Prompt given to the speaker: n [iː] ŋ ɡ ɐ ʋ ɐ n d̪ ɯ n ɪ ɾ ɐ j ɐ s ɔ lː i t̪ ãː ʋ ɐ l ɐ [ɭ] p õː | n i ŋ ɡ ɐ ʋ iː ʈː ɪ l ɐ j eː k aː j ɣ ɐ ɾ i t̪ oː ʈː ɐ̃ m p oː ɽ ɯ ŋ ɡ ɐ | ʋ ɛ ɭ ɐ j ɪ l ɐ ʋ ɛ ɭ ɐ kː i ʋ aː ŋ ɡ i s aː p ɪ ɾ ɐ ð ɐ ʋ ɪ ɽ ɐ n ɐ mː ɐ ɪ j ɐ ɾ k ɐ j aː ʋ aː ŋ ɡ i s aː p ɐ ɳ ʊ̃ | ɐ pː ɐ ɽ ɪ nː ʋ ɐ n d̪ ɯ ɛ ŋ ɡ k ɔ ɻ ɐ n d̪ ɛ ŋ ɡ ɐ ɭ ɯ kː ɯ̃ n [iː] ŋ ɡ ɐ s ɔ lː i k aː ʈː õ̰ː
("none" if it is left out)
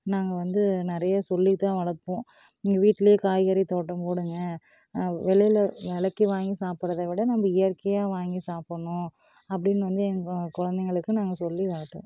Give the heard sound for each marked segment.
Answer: aː, ɾ, aː

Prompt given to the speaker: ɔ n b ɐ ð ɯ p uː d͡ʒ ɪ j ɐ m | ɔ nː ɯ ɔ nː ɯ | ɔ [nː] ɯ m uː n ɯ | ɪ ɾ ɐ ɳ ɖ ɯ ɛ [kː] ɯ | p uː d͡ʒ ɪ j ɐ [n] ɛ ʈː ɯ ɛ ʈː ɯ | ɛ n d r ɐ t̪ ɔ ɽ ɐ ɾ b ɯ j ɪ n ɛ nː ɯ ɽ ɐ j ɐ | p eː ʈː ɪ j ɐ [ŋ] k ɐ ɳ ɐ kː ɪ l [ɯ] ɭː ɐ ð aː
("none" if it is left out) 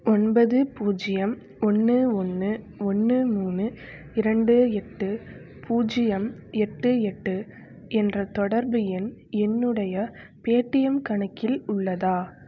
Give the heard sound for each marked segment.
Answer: nː, ʈː, m, m, ʊ

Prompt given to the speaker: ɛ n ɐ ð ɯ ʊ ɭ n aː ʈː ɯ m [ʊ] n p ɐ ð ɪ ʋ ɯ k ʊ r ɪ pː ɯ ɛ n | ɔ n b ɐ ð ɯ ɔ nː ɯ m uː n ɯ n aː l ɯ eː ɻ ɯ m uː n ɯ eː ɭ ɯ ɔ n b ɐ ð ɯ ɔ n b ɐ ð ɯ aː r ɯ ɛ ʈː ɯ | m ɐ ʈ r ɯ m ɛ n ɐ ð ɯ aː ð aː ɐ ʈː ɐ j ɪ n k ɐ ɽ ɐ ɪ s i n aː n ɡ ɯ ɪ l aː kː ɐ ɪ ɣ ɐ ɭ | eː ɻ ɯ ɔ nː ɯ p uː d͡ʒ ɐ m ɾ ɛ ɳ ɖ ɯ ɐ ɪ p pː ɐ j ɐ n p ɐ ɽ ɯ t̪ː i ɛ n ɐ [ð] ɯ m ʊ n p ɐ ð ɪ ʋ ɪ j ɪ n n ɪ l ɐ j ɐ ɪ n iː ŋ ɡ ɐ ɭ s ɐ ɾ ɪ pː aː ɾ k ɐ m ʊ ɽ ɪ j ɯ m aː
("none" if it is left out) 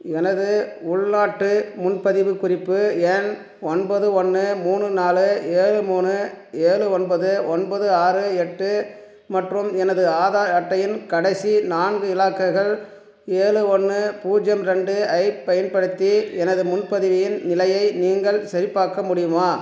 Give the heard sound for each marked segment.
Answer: ʊ, ð

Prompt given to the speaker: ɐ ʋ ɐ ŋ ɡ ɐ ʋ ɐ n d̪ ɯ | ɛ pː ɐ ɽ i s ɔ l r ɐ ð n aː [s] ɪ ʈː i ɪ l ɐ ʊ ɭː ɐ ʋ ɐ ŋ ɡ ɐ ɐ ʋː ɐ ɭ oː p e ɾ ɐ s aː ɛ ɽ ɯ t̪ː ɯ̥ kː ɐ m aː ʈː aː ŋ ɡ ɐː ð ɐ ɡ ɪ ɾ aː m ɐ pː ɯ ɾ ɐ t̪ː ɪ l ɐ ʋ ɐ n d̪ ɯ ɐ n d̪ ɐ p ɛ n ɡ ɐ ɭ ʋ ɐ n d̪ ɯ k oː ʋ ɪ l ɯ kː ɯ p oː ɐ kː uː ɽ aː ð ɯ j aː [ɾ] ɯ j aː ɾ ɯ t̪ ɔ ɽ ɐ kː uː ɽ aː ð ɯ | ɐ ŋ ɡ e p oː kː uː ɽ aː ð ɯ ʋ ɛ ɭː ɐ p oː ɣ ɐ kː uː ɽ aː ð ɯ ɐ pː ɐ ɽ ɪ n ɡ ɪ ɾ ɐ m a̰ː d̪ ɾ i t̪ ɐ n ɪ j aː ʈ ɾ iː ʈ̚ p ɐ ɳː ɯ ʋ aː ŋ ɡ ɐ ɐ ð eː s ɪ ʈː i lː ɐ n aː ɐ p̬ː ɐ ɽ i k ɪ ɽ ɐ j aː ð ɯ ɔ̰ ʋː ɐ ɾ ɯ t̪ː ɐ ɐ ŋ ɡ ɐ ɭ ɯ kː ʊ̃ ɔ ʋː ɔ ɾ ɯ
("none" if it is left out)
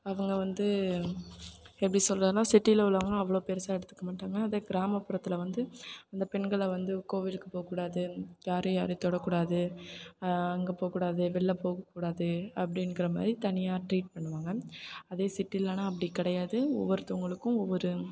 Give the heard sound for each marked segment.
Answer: s, ɾ

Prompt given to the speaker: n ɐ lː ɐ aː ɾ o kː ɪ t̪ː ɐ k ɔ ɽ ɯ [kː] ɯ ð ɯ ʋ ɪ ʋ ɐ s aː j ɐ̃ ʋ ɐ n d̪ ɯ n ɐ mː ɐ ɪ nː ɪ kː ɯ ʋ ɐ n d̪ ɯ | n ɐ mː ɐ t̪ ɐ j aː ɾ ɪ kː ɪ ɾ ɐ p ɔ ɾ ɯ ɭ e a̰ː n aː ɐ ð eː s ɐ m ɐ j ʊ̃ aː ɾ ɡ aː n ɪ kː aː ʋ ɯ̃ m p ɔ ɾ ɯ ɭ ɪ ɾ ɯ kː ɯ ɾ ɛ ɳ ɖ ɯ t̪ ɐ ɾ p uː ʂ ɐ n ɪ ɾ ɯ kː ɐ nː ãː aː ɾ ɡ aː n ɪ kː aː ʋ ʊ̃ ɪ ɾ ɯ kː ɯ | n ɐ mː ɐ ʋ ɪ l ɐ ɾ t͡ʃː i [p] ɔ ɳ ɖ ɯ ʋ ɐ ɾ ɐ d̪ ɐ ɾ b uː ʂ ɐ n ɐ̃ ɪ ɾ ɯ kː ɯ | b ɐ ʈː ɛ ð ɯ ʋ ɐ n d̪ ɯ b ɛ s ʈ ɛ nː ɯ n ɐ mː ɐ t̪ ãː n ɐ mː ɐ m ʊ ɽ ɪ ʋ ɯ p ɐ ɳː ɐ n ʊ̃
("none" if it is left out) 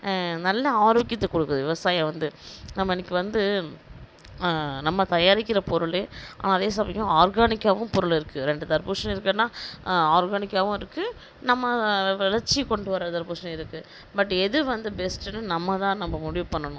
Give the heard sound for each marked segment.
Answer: kː, k

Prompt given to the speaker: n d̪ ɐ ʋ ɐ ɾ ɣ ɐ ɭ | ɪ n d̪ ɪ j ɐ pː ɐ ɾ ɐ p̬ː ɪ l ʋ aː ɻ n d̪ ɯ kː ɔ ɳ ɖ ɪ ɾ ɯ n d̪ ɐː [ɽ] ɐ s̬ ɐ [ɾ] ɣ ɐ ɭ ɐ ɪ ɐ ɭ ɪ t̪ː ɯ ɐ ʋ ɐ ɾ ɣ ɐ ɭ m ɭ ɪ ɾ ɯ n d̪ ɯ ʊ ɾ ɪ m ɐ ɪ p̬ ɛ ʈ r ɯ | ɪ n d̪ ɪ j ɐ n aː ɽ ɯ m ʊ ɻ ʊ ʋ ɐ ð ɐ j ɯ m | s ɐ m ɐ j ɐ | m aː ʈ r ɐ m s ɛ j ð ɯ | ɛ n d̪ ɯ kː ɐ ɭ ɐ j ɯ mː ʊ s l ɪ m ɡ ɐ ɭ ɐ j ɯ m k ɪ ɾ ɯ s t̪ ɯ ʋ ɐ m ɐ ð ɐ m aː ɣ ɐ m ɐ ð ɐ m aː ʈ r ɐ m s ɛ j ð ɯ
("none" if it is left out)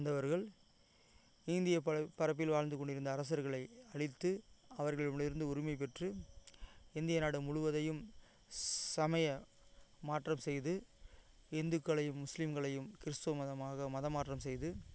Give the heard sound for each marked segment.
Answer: ɾ, ɾ

